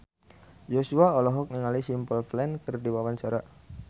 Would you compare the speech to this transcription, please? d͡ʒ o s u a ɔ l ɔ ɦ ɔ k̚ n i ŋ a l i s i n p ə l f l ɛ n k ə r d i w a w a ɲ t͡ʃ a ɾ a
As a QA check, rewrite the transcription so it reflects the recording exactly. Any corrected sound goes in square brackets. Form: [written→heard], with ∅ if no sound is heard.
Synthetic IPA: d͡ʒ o s u a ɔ l ɔ ɦ ɔ k̚ n i ŋ a l i s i [n→m] p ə l f l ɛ n k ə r d i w a w a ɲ t͡ʃ a ɾ a